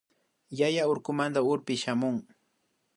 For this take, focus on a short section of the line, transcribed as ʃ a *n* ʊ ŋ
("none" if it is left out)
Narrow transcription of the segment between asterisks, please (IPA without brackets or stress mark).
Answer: m